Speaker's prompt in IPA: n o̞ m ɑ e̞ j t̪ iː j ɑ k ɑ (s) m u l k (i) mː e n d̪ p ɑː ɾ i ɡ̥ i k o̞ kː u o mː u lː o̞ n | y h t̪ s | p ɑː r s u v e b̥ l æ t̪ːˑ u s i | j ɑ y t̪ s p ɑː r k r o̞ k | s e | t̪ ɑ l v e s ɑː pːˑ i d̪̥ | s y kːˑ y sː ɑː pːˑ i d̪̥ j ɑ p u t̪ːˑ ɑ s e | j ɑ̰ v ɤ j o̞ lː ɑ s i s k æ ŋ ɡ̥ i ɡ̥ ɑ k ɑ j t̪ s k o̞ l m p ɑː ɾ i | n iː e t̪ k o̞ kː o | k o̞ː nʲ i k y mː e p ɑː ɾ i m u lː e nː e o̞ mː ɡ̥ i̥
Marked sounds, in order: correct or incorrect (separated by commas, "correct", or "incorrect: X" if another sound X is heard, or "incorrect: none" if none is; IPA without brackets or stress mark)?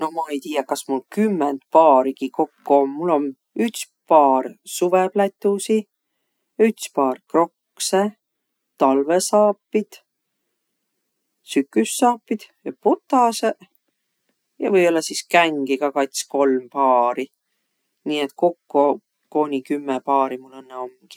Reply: correct, incorrect: y